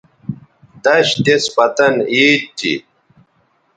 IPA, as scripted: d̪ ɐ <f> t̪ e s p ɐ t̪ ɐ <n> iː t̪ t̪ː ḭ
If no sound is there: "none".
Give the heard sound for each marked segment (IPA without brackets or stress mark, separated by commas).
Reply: ɕ, n